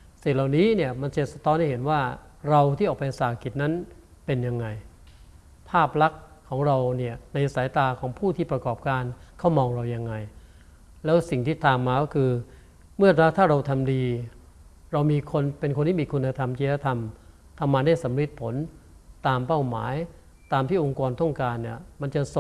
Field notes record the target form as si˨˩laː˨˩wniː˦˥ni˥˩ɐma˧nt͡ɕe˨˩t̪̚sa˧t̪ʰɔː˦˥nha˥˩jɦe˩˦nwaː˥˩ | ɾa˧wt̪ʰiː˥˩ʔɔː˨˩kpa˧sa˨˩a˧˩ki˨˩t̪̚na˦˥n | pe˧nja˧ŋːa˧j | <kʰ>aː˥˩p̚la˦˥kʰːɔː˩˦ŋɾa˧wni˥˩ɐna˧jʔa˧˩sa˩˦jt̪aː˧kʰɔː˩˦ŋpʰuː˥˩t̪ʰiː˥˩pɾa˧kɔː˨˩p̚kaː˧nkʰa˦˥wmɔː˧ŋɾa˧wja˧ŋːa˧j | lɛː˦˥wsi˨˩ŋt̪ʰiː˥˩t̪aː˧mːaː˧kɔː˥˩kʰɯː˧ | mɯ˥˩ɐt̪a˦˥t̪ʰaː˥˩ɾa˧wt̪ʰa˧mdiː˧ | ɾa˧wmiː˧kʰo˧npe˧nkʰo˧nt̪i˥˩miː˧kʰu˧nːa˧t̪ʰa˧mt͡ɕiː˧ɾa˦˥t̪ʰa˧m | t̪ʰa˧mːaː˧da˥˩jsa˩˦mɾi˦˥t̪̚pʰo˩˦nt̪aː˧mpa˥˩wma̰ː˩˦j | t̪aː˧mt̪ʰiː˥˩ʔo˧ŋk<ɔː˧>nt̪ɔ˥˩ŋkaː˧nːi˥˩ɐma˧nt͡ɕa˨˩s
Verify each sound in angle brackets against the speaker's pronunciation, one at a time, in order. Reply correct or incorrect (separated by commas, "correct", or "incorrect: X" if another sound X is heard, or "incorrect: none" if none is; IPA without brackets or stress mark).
incorrect: pʰ, correct